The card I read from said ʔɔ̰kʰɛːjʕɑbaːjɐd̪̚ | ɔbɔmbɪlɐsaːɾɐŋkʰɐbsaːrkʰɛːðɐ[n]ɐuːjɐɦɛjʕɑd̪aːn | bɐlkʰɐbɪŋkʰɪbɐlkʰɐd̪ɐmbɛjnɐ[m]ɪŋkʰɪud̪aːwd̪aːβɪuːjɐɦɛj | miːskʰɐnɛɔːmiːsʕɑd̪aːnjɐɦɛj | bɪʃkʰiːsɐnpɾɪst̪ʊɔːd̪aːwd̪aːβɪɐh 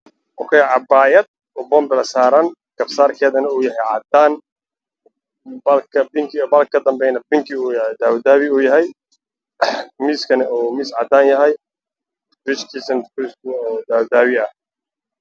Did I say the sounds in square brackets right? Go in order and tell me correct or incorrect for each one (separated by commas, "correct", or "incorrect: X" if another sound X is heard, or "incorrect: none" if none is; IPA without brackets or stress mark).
correct, incorrect: b